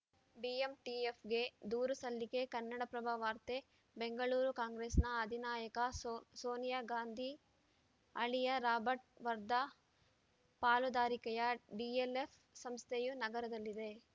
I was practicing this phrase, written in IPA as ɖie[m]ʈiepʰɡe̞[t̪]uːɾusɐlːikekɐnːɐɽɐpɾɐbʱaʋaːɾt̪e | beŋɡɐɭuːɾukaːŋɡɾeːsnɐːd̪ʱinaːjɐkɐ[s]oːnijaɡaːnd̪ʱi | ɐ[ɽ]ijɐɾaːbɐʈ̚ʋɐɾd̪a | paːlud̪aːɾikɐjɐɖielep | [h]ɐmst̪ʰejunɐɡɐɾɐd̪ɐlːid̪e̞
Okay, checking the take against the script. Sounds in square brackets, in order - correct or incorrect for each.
correct, incorrect: d̪, correct, incorrect: ɭ, incorrect: s

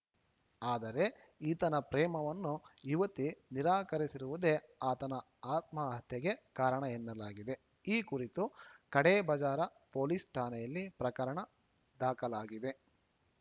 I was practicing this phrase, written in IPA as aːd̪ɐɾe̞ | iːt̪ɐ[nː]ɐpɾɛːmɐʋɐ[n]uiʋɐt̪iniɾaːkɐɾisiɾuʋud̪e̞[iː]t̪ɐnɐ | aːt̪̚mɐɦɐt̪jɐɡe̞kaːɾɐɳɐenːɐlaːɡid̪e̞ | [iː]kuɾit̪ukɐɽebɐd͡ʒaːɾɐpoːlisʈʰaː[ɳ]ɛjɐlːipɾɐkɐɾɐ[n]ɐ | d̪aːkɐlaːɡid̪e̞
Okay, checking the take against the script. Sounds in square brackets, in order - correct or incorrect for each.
incorrect: n, incorrect: nː, incorrect: aː, correct, incorrect: n, incorrect: ɳ

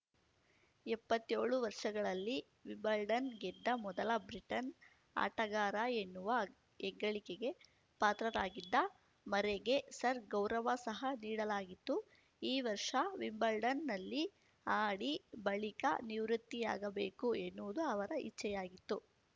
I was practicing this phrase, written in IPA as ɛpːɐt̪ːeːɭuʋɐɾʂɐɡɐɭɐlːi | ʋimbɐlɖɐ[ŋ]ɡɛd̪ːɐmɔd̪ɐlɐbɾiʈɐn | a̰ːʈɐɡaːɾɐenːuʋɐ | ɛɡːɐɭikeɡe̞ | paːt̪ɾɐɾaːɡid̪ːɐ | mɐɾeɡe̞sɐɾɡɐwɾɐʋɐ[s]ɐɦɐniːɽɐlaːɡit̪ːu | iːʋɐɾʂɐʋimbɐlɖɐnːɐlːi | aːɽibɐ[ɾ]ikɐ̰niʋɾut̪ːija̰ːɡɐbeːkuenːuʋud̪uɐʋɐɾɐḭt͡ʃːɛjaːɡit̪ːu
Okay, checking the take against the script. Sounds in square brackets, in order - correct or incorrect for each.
incorrect: n, correct, incorrect: ɭ

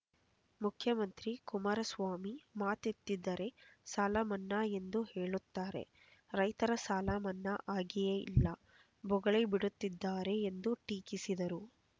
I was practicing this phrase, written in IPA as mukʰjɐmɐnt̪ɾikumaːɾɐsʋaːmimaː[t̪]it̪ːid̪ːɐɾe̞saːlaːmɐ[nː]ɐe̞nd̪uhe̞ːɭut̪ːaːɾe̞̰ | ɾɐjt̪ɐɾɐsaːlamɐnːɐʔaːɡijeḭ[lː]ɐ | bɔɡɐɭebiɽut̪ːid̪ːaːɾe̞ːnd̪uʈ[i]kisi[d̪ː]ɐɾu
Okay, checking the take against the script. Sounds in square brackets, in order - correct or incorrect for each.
correct, correct, correct, incorrect: iː, incorrect: d̪

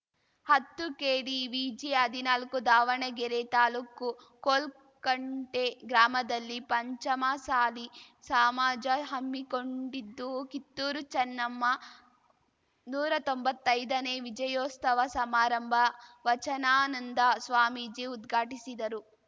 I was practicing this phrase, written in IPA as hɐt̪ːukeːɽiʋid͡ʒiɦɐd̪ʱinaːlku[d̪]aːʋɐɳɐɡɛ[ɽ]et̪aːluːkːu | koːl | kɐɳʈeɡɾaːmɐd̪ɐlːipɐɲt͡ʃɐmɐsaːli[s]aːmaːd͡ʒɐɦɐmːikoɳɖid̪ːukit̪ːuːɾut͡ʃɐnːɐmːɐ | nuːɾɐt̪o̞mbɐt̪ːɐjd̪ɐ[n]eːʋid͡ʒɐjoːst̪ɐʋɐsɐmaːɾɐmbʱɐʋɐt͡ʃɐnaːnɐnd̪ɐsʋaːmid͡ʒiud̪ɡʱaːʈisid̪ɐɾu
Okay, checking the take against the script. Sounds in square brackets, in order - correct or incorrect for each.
correct, incorrect: ɾ, correct, correct

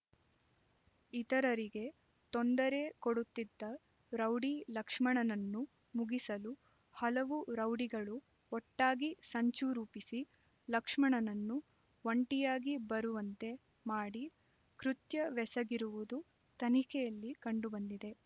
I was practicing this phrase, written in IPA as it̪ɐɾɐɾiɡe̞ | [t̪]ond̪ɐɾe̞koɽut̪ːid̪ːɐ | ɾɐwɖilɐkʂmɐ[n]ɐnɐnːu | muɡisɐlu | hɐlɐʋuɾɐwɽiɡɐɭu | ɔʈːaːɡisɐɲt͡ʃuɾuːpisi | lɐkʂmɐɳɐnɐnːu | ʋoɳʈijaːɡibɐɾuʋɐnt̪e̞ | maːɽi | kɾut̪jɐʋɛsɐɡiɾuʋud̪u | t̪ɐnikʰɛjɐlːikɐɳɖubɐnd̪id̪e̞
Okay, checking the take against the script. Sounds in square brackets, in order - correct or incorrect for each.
correct, incorrect: ɳ

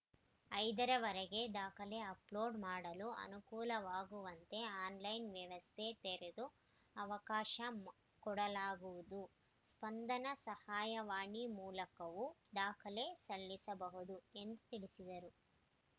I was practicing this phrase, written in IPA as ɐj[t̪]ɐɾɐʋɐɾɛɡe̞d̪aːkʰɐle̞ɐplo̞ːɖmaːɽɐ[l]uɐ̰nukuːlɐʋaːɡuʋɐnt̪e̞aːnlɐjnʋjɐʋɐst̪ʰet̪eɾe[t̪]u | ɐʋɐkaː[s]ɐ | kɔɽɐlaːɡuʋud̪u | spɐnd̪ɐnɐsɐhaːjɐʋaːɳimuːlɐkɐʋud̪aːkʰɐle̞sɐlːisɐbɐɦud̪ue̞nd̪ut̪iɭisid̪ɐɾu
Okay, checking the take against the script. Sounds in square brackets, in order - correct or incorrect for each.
incorrect: d̪, correct, incorrect: d̪, incorrect: ʃ

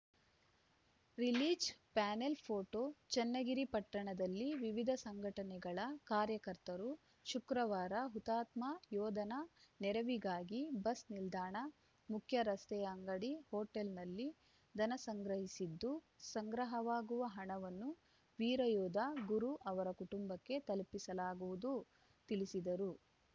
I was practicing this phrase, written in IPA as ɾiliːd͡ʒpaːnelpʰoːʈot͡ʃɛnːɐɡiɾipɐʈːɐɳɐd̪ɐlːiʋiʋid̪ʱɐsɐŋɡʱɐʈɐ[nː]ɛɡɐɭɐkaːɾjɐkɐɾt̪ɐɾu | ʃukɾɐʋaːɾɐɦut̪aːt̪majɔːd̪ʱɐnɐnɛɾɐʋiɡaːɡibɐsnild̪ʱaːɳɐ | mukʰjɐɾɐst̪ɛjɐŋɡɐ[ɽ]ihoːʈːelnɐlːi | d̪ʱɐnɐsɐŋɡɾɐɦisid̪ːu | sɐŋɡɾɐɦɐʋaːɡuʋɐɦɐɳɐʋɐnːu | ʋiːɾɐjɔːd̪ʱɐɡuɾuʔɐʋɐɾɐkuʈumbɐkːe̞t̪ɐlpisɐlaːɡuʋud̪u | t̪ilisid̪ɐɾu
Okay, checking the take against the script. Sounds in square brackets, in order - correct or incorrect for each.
incorrect: n, correct

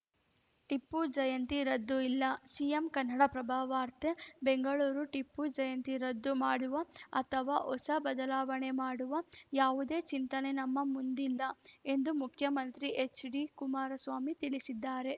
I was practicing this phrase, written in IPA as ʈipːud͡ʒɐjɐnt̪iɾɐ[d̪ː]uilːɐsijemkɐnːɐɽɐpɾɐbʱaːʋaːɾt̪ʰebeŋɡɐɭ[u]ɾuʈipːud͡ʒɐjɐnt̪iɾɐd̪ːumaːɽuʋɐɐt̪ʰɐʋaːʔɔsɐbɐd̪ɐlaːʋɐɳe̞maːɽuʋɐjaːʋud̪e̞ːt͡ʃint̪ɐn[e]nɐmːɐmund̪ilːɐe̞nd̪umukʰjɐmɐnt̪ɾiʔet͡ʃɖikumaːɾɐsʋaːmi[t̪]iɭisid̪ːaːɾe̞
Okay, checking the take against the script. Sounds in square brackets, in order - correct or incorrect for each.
correct, incorrect: uː, correct, correct

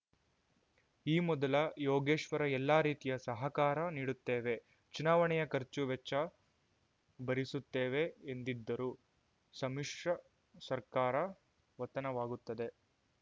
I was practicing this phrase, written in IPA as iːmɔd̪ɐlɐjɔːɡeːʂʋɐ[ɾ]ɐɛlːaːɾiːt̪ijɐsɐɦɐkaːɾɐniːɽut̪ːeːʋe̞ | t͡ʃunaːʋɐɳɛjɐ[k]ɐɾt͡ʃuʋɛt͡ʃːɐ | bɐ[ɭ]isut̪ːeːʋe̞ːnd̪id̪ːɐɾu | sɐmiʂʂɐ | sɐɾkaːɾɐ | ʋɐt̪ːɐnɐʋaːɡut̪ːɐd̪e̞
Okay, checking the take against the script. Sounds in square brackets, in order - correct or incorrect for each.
correct, correct, incorrect: ɾ

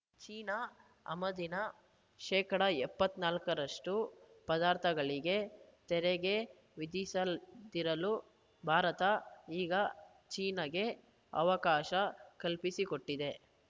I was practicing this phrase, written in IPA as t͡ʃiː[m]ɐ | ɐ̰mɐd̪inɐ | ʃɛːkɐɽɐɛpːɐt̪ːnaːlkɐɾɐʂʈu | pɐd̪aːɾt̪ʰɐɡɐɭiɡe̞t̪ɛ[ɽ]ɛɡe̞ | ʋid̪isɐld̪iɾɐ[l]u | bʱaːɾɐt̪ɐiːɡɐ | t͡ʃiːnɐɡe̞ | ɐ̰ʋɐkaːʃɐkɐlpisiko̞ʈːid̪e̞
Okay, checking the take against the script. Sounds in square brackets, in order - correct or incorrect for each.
incorrect: n, incorrect: ɾ, correct

